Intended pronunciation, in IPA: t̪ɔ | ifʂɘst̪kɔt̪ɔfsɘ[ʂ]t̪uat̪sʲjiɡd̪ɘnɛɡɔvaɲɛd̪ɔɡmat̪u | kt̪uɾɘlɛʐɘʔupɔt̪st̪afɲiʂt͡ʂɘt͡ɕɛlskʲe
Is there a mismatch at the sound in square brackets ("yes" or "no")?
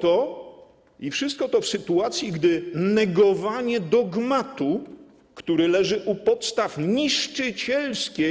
yes